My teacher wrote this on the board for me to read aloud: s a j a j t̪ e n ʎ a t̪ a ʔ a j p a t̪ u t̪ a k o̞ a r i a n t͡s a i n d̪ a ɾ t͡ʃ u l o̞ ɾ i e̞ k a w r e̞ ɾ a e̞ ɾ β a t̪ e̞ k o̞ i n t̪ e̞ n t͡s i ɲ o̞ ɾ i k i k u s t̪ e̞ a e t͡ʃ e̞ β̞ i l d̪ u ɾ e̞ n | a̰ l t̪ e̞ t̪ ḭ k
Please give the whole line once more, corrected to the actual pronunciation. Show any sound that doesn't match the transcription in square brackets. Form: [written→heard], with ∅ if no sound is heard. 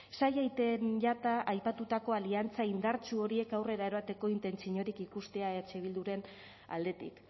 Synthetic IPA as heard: s a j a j t̪ e n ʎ a t̪ a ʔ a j p a t̪ u t̪ a k o̞ a [r→l] i a n t͡s a i n d̪ a ɾ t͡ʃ u [l→∅] o̞ ɾ i e̞ k a w r e̞ ɾ a e̞ ɾ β a t̪ e̞ k o̞ i n t̪ e̞ n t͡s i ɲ o̞ ɾ i k i k u s t̪ e̞ a e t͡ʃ e̞ β̞ i l d̪ u ɾ e̞ n | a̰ l [t̪→d̪] e̞ t̪ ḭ k